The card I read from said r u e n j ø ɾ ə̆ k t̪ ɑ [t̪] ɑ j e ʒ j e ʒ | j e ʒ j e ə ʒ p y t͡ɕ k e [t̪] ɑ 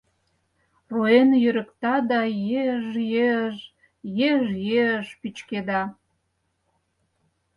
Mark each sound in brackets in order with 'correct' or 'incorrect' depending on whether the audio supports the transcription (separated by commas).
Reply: incorrect, incorrect